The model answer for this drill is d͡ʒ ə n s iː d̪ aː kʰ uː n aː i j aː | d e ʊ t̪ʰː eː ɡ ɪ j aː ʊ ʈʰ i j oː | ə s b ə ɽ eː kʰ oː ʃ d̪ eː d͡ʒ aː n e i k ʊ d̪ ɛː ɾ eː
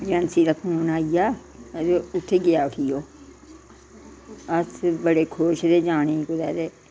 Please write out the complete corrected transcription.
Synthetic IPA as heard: d͡ʒ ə n s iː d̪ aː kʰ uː n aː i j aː | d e ʊ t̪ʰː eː ɡ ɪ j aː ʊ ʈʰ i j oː | ə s b ə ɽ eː kʰ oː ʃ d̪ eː d͡ʒ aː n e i k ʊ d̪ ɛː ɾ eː